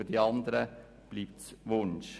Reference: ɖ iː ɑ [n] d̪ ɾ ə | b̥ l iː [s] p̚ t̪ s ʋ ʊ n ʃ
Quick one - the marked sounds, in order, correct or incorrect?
correct, incorrect: none

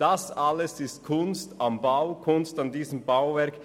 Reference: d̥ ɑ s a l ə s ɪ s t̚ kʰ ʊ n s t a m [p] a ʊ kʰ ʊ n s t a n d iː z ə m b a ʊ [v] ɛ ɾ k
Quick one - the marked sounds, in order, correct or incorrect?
incorrect: b, correct

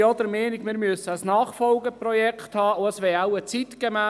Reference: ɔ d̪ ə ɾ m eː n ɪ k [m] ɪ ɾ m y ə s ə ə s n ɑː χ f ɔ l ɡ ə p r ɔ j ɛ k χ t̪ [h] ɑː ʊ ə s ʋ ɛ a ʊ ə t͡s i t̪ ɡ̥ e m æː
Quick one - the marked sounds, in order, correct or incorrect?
correct, correct

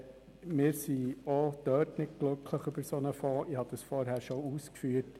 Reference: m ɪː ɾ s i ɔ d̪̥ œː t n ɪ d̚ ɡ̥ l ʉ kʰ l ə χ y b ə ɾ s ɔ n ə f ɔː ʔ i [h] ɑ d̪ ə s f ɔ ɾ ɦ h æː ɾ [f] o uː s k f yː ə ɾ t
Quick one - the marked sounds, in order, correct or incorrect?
correct, incorrect: ʃ

